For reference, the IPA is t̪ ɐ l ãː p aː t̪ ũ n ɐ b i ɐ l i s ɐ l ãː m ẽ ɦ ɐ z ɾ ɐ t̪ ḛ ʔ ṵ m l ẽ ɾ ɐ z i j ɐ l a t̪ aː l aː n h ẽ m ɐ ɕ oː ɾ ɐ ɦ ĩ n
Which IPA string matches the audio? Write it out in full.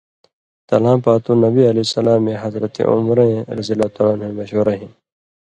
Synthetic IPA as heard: t̪ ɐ l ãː p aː t̪ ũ n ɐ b i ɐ l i s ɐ l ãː m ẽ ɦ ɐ z ɾ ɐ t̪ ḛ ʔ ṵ m ɾ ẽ ɾ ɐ z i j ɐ l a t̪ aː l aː n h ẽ m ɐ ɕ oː ɾ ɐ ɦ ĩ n